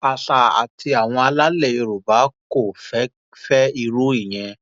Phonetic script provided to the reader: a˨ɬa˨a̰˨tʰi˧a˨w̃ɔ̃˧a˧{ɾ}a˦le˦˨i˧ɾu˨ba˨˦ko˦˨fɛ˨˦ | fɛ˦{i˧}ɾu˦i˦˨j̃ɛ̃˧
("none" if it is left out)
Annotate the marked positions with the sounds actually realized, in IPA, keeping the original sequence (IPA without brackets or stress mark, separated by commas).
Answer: l, i˧